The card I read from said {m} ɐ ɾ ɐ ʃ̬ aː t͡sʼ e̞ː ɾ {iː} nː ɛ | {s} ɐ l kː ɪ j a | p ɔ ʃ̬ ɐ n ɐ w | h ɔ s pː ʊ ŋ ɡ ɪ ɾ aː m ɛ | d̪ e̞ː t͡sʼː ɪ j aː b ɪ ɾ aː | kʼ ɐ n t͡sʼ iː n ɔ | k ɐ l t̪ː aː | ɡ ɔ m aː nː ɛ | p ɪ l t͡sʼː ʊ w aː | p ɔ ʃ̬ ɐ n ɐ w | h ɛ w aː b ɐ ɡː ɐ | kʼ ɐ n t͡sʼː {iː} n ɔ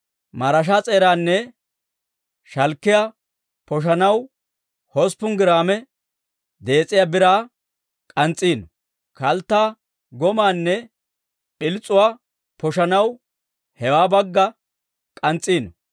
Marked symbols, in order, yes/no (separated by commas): yes, no, no, yes